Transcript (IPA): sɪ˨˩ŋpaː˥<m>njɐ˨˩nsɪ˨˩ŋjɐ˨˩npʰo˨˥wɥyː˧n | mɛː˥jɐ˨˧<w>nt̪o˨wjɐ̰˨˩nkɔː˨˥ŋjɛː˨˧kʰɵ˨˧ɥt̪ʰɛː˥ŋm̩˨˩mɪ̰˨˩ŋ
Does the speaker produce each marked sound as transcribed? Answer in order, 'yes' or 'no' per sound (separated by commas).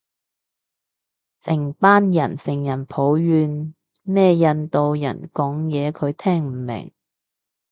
no, no